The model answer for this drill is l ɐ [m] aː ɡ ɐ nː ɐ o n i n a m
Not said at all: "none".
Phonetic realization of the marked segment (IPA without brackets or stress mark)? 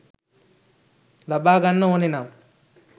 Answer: b